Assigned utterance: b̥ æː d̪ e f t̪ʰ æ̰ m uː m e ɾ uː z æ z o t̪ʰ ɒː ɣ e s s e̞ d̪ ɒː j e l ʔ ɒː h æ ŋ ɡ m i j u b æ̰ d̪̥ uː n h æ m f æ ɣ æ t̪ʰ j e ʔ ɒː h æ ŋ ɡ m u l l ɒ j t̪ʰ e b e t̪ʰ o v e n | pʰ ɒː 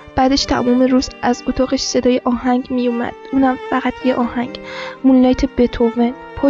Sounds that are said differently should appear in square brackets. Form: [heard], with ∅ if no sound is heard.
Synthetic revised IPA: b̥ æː d̪ e [ʃ] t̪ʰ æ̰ m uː m e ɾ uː z æ z o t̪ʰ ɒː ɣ e [ʃ] s e̞ d̪ ɒː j e [∅] ʔ ɒː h æ ŋ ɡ m i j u [m] æ̰ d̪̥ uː n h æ m f æ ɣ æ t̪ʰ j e ʔ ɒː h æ ŋ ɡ m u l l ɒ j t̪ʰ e b e t̪ʰ o v e n | pʰ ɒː